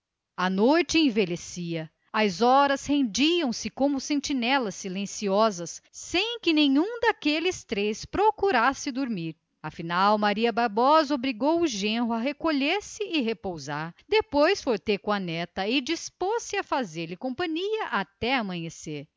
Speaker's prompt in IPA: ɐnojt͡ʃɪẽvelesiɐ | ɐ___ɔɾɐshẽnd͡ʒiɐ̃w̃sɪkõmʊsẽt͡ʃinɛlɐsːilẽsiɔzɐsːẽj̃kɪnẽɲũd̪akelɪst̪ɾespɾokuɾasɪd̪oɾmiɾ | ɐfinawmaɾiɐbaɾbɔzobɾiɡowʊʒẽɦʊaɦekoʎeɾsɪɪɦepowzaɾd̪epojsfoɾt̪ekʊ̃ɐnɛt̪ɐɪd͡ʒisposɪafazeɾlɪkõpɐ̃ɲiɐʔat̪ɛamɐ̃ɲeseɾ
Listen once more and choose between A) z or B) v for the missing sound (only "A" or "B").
A